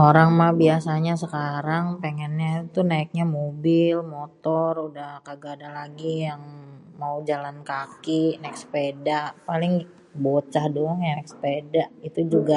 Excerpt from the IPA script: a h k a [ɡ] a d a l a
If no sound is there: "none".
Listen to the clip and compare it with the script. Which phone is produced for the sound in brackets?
ɡ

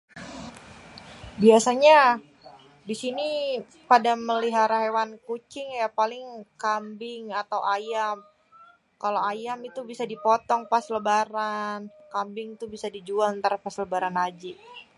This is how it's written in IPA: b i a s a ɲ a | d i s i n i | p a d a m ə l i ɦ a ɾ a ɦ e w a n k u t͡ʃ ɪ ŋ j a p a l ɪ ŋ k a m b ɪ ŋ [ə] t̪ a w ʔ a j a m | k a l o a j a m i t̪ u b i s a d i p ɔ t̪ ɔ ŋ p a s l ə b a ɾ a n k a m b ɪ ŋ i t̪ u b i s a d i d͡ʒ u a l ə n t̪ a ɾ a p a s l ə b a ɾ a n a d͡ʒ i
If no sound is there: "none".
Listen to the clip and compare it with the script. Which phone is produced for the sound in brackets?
a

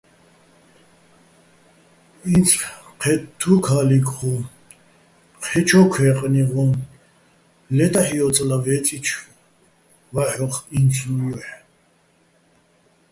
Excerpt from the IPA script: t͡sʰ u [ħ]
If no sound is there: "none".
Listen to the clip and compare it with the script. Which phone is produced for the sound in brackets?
ħ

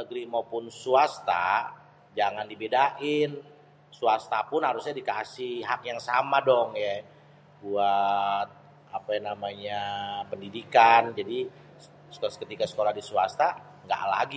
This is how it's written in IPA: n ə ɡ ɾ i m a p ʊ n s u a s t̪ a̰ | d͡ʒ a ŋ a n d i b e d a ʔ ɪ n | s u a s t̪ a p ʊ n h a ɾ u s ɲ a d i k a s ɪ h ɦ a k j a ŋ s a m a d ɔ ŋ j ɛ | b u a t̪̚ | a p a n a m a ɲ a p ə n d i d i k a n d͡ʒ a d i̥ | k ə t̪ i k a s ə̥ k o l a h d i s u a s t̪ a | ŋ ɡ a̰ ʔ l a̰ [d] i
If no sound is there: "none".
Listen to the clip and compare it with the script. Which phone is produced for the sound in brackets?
ɡ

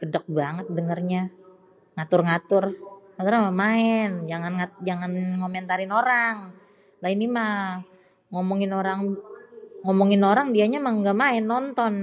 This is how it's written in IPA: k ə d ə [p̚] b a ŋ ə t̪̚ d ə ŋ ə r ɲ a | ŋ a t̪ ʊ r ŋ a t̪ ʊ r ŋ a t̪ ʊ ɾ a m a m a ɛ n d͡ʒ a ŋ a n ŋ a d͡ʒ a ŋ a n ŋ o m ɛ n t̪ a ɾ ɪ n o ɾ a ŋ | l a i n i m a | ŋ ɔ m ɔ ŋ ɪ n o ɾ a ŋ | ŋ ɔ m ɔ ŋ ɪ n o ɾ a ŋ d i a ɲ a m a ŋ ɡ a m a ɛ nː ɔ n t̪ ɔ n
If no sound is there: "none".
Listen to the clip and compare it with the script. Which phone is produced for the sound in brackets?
k̚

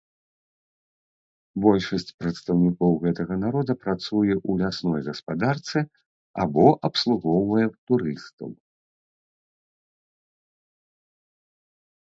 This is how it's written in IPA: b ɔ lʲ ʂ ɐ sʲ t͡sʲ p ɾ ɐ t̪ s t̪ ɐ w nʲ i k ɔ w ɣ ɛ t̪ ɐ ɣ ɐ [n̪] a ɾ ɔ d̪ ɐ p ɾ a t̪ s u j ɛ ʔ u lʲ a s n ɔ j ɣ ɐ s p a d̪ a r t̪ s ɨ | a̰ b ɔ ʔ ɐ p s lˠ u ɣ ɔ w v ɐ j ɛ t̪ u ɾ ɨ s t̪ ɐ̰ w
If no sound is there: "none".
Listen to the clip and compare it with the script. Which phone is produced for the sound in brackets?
n̪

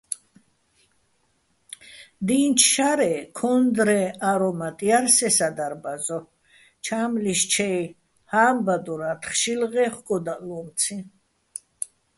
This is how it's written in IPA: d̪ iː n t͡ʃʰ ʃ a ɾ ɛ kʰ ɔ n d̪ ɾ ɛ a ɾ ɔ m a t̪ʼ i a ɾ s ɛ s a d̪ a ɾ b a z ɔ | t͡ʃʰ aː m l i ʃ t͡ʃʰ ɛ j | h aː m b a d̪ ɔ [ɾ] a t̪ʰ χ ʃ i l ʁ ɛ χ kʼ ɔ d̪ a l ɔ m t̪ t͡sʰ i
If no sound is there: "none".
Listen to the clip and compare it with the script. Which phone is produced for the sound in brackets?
ɾ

